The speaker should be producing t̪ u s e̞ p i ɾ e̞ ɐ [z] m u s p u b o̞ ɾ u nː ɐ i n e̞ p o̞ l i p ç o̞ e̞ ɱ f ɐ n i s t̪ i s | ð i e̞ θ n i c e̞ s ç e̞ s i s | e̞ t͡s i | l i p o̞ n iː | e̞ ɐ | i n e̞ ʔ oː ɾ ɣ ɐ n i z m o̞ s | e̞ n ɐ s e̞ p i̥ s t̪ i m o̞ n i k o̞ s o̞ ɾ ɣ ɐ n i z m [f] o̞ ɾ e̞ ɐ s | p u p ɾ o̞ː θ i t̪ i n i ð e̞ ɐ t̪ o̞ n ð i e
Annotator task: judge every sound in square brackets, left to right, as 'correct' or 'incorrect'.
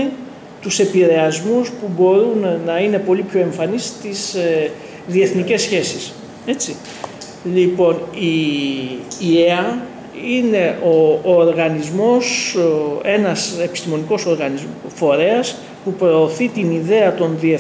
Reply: correct, correct

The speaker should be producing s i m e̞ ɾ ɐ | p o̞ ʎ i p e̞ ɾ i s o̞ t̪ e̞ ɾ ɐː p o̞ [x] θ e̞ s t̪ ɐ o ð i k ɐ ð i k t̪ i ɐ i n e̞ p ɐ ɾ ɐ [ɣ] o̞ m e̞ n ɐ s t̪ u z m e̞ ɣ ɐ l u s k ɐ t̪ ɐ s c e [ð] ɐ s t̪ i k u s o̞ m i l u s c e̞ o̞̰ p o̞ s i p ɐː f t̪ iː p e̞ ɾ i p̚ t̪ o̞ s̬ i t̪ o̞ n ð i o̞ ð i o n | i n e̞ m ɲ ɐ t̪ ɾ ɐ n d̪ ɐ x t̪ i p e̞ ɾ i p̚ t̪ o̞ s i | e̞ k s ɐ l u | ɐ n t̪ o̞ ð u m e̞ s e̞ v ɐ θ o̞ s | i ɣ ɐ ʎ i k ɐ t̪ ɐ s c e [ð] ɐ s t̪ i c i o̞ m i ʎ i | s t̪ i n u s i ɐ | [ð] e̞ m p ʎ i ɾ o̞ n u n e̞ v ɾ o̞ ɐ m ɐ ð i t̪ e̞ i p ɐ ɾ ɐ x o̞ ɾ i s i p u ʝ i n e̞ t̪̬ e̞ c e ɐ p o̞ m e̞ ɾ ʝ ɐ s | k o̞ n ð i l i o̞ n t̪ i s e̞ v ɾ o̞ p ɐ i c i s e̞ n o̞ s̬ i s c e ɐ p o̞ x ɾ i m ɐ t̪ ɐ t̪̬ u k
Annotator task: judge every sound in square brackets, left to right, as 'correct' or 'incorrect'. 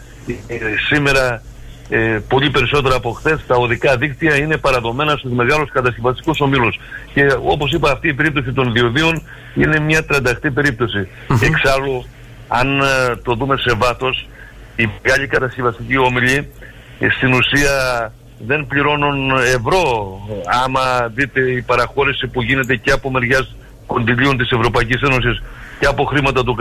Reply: correct, incorrect: ð, incorrect: v, incorrect: v, correct

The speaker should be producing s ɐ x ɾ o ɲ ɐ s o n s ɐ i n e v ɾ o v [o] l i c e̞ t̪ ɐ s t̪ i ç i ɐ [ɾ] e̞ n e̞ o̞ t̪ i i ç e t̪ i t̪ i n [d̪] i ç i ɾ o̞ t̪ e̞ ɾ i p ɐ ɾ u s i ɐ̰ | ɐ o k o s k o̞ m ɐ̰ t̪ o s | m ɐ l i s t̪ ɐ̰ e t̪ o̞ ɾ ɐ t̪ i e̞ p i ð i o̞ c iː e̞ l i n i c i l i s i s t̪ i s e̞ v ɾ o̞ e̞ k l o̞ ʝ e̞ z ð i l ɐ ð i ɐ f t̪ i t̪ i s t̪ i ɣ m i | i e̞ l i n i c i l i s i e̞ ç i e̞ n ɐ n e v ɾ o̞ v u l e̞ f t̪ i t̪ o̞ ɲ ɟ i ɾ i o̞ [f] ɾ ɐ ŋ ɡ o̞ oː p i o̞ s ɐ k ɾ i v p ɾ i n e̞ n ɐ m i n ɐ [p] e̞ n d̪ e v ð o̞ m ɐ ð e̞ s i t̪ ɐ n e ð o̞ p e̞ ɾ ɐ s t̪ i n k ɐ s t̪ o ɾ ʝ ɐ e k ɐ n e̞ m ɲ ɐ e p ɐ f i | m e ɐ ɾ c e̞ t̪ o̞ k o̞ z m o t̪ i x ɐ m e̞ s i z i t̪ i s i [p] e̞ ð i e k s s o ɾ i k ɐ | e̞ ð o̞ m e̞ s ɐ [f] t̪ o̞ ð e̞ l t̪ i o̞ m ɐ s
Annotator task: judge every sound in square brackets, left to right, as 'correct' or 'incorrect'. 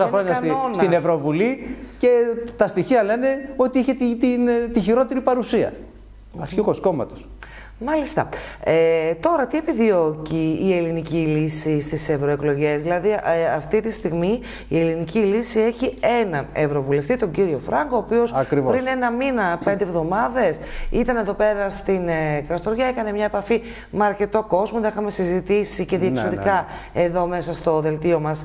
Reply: incorrect: u, incorrect: l, incorrect: t̪, correct, correct, incorrect: c, incorrect: s

